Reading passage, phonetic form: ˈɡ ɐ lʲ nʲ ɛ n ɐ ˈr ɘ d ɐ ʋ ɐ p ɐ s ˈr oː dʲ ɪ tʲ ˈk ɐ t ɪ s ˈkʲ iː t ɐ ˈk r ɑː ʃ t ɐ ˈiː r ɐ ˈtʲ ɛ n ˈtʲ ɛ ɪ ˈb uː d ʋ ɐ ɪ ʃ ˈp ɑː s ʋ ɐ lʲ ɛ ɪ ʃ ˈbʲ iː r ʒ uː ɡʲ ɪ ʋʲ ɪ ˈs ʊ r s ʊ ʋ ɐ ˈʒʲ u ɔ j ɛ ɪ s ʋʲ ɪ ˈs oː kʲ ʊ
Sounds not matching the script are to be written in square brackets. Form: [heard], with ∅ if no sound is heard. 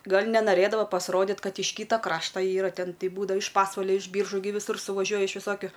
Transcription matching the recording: ˈɡ ɐ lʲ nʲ ɛ n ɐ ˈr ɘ d ɐ ʋ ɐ p ɐ s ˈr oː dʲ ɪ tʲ ˈk ɐ t ɪ [ʃ] ˈkʲ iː t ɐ ˈk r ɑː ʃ t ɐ ˈiː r ɐ ˈtʲ ɛ n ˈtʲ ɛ ɪ ˈb uː d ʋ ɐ ɪ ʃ ˈp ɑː s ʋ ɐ lʲ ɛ ɪ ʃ ˈbʲ iː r ʒ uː ɡʲ ɪ ʋʲ ɪ ˈs ʊ r s ʊ ʋ ɐ ˈʒʲ u ɔ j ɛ ɪ [ʃ] ʋʲ ɪ ˈs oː kʲ ʊ